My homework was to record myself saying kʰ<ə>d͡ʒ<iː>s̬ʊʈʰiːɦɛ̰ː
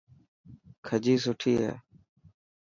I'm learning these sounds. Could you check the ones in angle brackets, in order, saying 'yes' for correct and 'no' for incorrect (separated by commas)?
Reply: yes, yes